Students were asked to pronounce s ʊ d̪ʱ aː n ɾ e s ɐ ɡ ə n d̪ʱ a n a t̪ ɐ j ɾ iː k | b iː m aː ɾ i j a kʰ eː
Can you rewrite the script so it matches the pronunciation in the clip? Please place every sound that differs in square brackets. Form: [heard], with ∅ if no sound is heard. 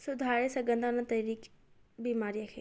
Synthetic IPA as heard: s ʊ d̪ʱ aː [∅] ɾ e s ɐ ɡ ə n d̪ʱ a n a t̪ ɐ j ɾ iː k | b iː m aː ɾ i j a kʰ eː